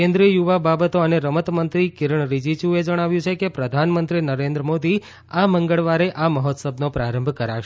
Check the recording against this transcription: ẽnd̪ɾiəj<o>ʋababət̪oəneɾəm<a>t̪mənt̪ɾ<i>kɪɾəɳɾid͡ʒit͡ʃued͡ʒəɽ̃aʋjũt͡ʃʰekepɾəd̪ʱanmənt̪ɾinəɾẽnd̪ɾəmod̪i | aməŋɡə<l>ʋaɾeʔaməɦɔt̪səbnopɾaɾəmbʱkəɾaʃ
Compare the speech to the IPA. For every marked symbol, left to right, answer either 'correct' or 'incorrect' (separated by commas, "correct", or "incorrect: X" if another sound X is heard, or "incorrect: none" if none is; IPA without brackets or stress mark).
incorrect: u, incorrect: ə, correct, incorrect: ɭ